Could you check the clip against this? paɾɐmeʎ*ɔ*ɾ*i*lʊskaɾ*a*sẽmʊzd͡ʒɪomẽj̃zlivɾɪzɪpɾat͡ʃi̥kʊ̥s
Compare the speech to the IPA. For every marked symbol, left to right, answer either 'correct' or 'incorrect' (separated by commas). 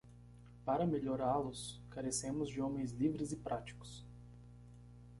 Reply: incorrect, incorrect, incorrect